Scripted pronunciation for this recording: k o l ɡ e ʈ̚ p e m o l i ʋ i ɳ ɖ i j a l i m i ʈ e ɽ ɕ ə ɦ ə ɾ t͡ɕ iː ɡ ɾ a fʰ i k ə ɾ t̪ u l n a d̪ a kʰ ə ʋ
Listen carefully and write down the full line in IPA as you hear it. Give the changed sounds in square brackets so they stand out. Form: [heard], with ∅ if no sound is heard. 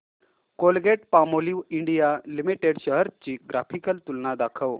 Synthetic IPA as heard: k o l ɡ e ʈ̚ p [a] m o l i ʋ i ɳ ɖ i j a l i m i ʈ e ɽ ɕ ə ɦ ə ɾ t͡ɕ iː ɡ ɾ a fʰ i k ə [l] t̪ u l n a d̪ a kʰ ə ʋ

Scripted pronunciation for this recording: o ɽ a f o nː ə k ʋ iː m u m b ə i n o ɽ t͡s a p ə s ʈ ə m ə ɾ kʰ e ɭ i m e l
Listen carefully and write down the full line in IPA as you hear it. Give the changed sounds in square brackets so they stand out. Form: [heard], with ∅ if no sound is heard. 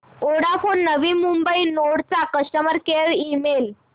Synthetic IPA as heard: o ɽ a f o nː ə [∅] ʋ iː m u m b ə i n o ɽ t͡s a [k] ə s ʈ ə m ə ɾ [k] e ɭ i m e l

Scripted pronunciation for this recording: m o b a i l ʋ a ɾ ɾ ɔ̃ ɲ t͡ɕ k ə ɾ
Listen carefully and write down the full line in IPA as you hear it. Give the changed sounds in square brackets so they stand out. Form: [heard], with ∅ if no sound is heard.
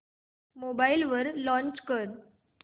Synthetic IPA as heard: m o b a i l ʋ [ə] ɾ [l] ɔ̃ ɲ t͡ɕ k ə ɾ

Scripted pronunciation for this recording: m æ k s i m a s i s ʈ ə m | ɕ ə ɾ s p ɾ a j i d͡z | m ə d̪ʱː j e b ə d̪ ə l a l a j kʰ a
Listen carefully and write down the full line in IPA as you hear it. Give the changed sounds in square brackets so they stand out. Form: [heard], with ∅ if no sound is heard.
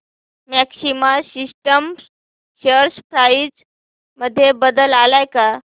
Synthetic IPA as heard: m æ k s i m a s i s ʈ ə m | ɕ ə ɾ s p ɾ a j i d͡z | m ə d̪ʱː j e b ə d̪ ə l a l a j [k] a

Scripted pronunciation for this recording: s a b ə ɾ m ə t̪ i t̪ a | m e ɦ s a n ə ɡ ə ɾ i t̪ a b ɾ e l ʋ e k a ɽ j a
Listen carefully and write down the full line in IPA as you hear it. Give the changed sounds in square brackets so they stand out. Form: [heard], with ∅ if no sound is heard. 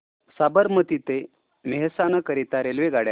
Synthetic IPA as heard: s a b ə ɾ m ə t̪ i t̪ [e] | m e ɦ s a n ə [k] ə ɾ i t̪ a [∅] ɾ e l ʋ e [ɡ] a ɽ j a

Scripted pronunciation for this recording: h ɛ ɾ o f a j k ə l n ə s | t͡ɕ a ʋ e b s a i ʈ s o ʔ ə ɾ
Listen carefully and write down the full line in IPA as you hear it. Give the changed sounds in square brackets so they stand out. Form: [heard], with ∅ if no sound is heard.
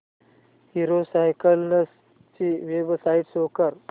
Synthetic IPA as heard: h [i] ɾ o [s] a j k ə l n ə s | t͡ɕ [i] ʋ e b s a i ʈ s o [k] ə ɾ

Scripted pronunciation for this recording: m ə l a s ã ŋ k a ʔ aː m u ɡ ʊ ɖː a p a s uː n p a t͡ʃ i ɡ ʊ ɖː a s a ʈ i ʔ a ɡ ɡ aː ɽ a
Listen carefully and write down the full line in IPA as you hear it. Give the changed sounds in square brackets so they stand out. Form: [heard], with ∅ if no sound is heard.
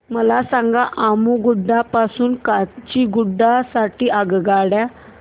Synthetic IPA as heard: m ə l a s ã ŋ [ɡ] a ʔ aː m u ɡ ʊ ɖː a p a s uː n [k] a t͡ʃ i ɡ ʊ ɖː a s a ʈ i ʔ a ɡ ɡ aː ɽ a

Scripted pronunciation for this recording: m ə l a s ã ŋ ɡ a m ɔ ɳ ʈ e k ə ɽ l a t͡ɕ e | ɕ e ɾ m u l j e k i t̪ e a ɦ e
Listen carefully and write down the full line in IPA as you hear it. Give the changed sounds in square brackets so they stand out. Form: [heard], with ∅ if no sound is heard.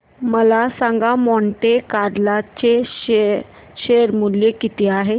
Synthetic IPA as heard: m ə l a s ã ŋ ɡ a m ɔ ɳ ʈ e k [a] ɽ l a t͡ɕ e | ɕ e ɾ m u l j e k i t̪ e a ɦ e

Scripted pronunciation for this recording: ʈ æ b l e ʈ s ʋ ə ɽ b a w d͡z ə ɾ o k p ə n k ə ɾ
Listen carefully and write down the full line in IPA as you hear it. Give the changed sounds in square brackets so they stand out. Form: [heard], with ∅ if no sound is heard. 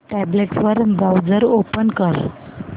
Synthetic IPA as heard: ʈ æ b l e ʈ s ʋ ə [ɾ] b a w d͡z ə ɾ o [∅] p ə n k ə ɾ

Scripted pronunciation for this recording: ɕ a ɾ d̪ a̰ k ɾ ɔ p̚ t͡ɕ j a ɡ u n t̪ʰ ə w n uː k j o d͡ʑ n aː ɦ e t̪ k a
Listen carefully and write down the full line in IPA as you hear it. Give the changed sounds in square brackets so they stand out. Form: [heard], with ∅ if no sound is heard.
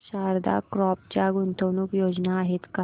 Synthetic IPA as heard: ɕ a ɾ d̪ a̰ k ɾ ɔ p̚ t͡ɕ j a ɡ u n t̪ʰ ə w n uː k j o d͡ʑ n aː ɦ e t̪ k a

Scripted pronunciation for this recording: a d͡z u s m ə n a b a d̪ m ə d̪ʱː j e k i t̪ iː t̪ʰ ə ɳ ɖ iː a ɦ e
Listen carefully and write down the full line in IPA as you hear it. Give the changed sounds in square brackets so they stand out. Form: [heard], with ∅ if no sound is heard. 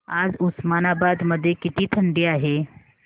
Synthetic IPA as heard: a d͡z u s m [a] n a b a d̪ m ə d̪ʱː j e k i t̪ iː t̪ʰ ə ɳ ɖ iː a ɦ e

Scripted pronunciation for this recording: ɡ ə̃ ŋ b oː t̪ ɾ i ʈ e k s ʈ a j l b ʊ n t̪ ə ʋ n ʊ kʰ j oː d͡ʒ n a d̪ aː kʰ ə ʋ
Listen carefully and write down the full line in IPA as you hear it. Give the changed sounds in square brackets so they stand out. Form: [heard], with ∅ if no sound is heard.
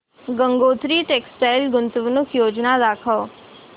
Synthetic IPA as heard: ɡ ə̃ ŋ [ɡ] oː t̪ ɾ i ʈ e k s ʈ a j l [ɡ] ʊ n t̪ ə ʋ n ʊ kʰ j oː d͡ʒ n a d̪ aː kʰ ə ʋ

